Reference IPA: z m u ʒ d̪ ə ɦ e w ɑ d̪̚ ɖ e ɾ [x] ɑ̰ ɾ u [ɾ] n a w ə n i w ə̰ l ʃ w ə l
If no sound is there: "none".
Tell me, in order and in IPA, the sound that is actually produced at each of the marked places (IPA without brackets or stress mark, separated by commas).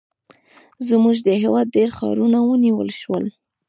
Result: x, none